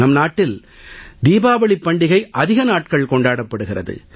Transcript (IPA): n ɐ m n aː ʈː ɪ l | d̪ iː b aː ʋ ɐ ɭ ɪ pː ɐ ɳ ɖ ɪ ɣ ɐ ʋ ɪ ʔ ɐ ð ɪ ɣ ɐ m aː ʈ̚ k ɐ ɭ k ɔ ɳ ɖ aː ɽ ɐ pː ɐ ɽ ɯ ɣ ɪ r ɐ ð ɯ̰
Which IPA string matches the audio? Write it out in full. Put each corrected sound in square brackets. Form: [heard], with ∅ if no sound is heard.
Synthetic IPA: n ɐ m n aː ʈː ɪ l | d̪ iː b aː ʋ ɐ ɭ ɪ pː ɐ ɳ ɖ ɪ ɣ ɐ [∅] ɪ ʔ ɐ ð ɪ ɣ ɐ [n] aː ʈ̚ k ɐ ɭ k ɔ ɳ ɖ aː ɽ ɐ pː ɐ ɽ ɯ ɣ ɪ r ɐ ð ɯ̰